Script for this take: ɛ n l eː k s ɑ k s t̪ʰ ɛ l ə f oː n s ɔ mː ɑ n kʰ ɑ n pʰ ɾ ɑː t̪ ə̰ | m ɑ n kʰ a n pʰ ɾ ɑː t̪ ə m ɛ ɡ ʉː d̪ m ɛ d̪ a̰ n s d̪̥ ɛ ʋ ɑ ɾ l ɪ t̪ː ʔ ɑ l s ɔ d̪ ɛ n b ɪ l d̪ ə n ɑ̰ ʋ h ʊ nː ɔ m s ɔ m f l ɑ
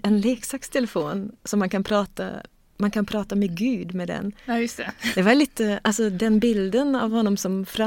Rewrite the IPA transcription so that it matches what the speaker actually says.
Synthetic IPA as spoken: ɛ n l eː k s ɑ k s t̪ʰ ɛ l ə f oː n s ɔ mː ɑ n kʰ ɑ n pʰ ɾ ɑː t̪ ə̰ | m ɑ n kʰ ɑ n pʰ ɾ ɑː t̪ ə m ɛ ɡ ʉː d̪ m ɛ d̪ ɛ̰ n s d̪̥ ɛ ʋ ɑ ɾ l ɪ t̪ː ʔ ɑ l s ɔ d̪ ɛ n b ɪ l d̪ ə n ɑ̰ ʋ h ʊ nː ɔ m s ɔ m f ɾ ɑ